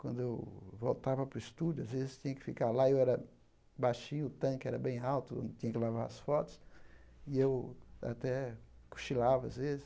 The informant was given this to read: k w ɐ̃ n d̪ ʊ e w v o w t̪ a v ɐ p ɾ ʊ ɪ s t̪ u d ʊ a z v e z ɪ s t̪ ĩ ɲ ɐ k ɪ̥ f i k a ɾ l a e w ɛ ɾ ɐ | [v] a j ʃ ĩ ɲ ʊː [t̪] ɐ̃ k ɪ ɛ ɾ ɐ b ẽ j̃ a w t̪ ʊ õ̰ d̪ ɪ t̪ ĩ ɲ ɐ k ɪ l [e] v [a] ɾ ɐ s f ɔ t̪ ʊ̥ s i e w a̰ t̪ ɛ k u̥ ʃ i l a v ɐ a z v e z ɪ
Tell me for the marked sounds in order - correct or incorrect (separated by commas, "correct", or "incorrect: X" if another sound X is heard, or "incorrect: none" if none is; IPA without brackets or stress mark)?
incorrect: b, correct, incorrect: a, correct